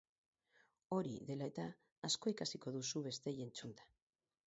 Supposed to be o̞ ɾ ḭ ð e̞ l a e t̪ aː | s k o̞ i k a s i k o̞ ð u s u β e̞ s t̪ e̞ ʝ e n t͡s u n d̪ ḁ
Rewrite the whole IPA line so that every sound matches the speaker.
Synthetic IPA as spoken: o̞ ɾ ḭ ð e̞ l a e t̪ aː | s k o̞ i k a s i k o̞ ð u s u β e̞ s t̪ e̞ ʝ e n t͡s u n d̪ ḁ